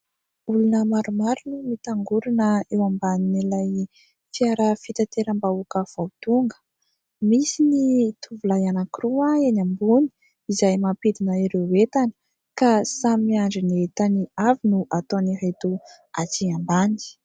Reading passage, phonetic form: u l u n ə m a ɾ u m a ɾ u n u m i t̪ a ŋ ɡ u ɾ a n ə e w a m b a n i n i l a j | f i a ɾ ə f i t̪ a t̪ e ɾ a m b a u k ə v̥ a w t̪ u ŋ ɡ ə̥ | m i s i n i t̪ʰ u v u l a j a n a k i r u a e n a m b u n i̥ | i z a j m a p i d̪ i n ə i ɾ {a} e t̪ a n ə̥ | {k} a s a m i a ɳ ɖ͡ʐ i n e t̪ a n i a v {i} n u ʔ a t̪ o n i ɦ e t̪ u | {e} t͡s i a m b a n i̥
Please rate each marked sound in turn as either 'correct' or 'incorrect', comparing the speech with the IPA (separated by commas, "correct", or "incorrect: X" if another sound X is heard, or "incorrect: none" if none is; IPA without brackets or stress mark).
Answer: incorrect: e, correct, correct, incorrect: a